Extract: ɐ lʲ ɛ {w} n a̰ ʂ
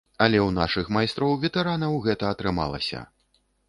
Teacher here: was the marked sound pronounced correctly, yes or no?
yes